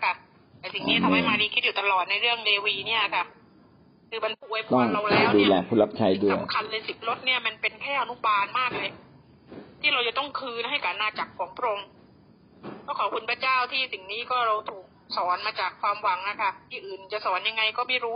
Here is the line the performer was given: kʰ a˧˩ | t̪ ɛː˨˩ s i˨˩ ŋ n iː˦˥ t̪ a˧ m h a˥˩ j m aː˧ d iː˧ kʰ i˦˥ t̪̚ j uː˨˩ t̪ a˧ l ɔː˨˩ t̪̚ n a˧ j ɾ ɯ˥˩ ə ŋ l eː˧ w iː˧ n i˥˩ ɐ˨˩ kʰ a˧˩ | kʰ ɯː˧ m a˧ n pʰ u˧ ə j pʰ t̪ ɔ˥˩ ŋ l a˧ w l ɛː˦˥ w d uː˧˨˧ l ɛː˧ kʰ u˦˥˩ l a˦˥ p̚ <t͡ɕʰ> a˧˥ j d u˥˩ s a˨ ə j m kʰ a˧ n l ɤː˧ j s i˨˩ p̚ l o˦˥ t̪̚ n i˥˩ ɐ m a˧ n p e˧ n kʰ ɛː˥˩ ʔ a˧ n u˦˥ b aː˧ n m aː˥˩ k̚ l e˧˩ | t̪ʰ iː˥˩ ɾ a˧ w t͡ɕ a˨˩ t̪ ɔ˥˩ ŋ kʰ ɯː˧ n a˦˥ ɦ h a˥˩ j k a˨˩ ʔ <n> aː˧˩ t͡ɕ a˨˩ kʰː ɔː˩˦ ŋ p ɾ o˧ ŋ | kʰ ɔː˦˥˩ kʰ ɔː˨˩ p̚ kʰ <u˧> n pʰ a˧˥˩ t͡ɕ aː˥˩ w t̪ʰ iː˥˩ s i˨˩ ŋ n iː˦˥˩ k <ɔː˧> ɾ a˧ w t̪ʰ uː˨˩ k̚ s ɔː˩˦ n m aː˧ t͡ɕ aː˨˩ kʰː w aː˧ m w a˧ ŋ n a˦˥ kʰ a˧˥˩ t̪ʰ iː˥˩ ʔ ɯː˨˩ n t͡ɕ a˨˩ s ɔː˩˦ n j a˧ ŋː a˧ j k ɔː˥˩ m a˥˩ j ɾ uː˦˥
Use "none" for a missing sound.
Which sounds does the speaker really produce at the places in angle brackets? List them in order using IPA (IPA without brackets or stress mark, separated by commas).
t͡ɕʰ, n, u˧, ɔː˥˩